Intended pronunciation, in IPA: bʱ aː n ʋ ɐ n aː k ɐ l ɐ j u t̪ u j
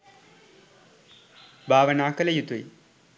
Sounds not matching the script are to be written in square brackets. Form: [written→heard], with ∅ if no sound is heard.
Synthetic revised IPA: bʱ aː [n→∅] ʋ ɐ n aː k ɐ l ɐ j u t̪ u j